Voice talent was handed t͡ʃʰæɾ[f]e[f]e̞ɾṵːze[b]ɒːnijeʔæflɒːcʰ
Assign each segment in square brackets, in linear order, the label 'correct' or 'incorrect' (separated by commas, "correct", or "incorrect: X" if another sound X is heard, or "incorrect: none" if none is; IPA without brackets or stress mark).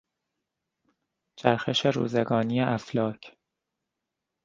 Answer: incorrect: x, incorrect: ʃ, incorrect: ɡ